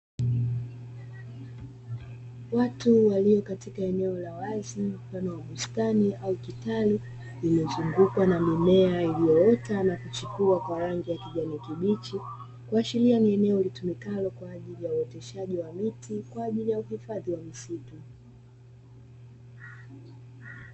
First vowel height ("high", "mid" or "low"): low